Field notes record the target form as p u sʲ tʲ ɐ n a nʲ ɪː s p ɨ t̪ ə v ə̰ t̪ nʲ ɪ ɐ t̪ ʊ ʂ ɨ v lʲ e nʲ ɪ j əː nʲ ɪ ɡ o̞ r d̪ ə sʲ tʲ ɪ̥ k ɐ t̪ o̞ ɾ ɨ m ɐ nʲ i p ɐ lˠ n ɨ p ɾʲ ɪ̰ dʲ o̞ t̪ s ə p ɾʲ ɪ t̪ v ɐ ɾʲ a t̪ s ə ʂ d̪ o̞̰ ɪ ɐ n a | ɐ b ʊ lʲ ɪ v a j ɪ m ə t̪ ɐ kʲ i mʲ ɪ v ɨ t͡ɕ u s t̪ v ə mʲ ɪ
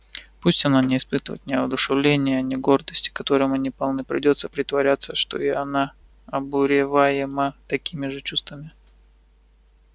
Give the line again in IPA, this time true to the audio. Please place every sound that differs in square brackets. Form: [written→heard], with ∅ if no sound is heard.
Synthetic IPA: p u sʲ tʲ ɐ n a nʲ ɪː s p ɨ t̪ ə v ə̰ t̪ nʲ ɪ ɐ [t̪→d̪] ʊ ʂ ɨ v lʲ e nʲ ɪ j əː nʲ ɪ ɡ o̞ r d̪ ə sʲ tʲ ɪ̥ k ɐ t̪ o̞ ɾ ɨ m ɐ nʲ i p ɐ lˠ n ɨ p ɾʲ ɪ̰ dʲ o̞ t̪ s ə p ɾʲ ɪ t̪ v ɐ ɾʲ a t̪ s ə ʂ [d̪→t̪] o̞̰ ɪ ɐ n a | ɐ b ʊ [lʲ→ɾʲ] ɪ v a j ɪ m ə t̪ ɐ kʲ i mʲ ɪ [v→ʐ] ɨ t͡ɕ u s t̪ v ə mʲ ɪ